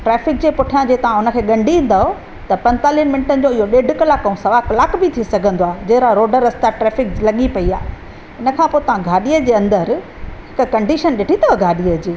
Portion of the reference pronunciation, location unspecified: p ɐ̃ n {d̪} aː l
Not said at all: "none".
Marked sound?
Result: t̪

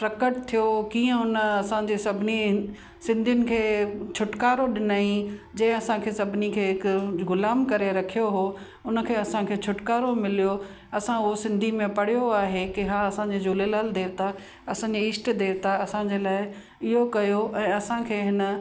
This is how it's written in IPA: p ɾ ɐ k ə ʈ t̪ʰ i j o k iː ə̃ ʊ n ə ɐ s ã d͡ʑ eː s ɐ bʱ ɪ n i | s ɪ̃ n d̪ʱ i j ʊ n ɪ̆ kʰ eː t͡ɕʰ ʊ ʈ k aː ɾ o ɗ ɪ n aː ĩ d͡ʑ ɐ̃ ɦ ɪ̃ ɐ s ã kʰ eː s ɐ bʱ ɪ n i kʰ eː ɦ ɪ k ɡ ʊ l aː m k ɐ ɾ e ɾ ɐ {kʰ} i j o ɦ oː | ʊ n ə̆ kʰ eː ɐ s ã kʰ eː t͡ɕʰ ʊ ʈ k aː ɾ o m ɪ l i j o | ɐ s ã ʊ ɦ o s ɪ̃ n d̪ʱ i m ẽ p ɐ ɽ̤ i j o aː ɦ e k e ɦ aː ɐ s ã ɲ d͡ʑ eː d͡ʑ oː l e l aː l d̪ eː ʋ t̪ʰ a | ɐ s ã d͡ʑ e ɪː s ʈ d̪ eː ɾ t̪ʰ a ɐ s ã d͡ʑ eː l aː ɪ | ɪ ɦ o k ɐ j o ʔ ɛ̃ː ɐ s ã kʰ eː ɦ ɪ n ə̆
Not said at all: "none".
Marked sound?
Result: kʰ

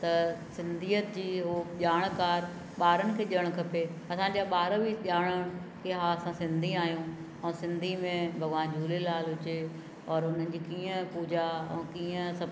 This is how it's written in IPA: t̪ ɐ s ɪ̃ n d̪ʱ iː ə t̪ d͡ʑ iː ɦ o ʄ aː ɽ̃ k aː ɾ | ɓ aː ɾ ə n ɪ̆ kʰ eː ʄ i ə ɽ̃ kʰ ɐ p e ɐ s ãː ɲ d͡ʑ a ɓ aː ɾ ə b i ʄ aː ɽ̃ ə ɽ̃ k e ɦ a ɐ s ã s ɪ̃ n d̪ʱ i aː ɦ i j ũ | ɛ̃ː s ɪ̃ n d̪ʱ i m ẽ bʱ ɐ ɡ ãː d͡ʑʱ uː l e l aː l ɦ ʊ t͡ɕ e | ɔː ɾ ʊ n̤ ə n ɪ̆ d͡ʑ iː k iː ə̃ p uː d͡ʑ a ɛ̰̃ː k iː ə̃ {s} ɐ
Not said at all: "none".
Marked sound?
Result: s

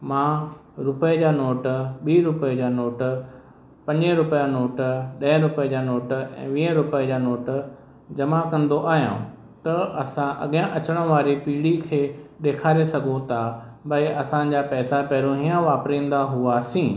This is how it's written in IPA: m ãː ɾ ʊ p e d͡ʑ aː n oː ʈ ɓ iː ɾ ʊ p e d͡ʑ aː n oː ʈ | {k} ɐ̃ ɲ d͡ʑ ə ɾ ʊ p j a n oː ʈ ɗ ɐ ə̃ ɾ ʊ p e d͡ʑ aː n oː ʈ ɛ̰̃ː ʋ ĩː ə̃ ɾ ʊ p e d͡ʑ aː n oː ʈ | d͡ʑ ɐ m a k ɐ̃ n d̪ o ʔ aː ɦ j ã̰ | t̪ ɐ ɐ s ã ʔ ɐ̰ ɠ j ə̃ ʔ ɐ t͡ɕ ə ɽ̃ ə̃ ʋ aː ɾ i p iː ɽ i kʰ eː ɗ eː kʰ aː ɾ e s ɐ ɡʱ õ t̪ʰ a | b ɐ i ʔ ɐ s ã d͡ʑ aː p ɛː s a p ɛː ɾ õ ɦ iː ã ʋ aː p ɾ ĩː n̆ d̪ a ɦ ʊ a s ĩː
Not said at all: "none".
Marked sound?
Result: p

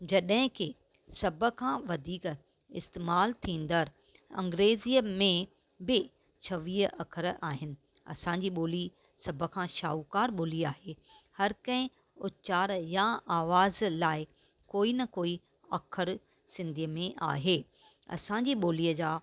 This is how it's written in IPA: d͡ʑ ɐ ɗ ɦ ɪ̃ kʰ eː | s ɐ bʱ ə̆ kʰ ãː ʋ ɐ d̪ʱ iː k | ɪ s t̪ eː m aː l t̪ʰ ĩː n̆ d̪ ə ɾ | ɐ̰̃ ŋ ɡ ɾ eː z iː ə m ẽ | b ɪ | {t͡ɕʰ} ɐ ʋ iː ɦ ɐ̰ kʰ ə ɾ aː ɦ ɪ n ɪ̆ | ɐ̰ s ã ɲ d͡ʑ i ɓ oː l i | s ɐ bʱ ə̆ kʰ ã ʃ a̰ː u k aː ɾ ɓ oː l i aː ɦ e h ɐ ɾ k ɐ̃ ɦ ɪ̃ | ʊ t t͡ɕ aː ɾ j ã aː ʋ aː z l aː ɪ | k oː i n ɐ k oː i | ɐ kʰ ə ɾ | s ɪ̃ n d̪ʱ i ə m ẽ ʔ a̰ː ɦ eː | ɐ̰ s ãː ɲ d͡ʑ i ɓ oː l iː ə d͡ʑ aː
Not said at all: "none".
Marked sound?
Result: t͡ɕʰ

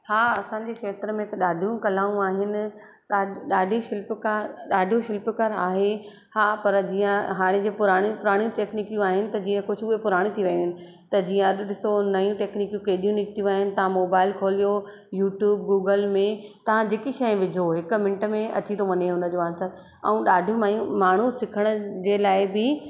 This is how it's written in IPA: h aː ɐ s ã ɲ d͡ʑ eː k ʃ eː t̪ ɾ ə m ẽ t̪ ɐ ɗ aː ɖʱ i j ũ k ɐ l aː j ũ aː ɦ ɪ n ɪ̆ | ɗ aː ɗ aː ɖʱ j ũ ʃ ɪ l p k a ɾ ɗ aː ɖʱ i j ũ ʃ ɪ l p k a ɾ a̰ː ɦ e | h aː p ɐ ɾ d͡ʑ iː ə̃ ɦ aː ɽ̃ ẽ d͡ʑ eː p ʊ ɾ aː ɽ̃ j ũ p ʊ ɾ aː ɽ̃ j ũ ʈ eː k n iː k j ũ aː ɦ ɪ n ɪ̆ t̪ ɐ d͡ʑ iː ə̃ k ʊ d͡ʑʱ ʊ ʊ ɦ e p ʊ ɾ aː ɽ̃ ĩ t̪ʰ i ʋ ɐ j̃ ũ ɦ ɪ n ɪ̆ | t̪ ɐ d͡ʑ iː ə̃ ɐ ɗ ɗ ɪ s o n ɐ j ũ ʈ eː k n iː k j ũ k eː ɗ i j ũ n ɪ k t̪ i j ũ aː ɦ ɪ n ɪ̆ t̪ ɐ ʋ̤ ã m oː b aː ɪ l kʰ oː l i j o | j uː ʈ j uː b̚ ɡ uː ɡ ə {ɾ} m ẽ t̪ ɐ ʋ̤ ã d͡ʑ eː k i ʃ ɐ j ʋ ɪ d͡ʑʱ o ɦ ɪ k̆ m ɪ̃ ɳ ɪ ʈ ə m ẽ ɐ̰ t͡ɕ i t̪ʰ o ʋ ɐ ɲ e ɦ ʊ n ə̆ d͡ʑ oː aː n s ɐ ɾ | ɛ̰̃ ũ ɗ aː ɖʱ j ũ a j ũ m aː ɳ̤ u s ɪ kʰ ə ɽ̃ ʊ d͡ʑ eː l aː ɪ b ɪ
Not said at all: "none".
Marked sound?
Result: l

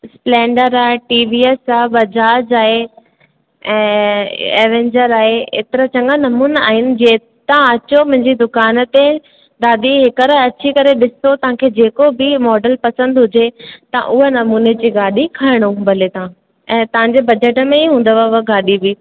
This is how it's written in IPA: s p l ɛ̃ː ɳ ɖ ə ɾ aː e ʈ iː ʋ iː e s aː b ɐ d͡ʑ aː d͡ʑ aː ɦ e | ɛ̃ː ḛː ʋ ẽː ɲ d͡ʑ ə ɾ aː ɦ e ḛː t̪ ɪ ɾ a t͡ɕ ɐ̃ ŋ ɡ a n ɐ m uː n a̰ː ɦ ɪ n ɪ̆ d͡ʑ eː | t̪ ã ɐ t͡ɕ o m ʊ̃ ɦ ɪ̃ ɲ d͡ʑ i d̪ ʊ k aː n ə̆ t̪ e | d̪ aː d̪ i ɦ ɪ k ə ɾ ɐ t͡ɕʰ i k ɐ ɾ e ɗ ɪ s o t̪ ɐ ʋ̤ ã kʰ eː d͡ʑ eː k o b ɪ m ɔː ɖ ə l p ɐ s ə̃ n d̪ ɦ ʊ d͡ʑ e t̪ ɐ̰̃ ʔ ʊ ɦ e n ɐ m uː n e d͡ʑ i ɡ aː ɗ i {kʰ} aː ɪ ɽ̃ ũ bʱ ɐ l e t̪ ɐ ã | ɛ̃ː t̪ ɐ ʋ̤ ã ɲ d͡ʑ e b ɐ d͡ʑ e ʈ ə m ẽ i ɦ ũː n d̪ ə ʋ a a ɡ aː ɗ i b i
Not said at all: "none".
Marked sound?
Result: kʰ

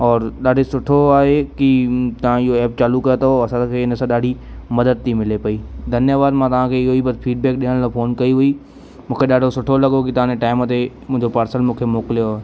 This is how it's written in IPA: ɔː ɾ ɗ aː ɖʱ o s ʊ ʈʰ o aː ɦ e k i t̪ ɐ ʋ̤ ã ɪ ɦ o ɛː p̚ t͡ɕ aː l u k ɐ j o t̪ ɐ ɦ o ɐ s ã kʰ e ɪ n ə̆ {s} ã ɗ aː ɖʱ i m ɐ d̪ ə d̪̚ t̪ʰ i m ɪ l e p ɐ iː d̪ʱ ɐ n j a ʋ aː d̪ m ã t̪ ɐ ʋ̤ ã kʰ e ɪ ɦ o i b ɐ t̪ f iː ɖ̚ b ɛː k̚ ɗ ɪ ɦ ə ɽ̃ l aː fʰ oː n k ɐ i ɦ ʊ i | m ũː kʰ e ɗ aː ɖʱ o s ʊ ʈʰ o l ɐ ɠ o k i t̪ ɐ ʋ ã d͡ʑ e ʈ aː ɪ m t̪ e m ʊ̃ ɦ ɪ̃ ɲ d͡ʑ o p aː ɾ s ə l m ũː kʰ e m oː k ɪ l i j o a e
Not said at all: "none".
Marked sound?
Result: s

